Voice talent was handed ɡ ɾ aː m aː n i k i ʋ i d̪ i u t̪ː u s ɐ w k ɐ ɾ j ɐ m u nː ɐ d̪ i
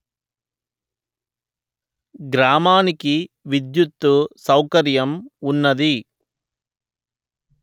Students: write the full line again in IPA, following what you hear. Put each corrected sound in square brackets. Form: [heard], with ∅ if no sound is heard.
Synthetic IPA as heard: ɡ ɾ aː m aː n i k i ʋ i d̪ [j] u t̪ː u s ɐ w k ɐ ɾ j ɐ m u nː ɐ d̪ i